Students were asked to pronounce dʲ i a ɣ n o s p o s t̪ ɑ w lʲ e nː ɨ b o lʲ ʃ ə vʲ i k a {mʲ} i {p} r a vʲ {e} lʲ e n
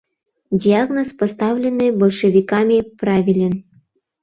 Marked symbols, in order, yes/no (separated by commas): yes, yes, no